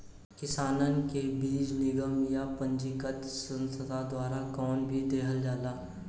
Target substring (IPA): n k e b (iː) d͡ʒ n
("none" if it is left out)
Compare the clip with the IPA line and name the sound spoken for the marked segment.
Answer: iː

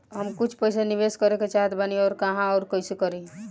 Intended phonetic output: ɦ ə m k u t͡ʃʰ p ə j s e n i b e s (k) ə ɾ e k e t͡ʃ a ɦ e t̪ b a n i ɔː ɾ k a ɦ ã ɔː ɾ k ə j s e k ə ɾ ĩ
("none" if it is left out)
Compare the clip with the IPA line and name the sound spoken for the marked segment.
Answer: k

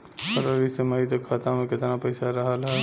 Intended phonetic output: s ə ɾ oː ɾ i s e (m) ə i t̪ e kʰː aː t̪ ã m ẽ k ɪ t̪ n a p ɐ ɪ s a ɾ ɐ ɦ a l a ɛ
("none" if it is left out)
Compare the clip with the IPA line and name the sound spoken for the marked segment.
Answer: m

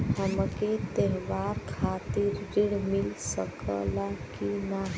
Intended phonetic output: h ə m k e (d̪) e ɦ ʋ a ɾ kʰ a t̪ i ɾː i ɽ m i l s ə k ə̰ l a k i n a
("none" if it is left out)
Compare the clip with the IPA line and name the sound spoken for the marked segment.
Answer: t̪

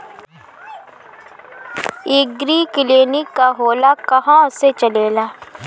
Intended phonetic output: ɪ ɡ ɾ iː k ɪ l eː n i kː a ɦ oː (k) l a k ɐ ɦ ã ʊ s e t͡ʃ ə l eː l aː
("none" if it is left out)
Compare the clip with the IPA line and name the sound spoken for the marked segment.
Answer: none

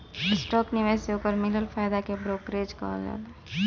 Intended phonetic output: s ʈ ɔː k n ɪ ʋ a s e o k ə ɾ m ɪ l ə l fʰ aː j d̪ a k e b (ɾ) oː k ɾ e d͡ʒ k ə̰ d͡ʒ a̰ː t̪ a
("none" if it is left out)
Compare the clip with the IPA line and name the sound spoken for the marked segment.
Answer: ɾ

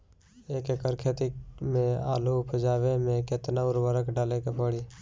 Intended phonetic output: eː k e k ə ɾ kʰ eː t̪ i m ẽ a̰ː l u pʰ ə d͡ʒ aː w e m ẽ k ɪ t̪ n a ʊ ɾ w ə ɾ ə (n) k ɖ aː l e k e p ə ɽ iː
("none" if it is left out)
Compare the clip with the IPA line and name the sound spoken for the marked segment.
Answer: none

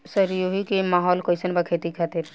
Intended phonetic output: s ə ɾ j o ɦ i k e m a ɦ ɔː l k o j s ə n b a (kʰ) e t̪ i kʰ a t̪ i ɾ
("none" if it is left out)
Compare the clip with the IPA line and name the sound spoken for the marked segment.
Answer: kʰ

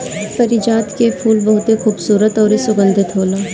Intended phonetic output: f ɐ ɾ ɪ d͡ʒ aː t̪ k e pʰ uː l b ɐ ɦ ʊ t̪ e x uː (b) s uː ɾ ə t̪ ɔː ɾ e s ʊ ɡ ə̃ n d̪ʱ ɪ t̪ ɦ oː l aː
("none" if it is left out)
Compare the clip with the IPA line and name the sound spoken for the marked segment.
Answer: b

